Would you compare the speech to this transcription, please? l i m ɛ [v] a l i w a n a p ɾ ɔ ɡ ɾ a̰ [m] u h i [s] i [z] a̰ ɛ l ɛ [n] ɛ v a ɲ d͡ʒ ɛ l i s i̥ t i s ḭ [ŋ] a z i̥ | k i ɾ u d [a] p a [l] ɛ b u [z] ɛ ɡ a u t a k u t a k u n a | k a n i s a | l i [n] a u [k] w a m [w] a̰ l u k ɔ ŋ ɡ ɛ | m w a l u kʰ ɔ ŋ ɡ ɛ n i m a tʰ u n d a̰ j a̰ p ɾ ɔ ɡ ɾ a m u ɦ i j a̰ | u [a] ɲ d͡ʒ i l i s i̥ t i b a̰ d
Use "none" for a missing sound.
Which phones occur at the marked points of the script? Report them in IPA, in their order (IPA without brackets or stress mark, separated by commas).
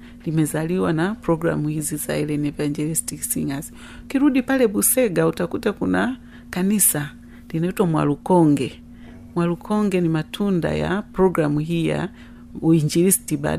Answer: z, m, z, z, n, ŋ, i, l, s, n, t, w, i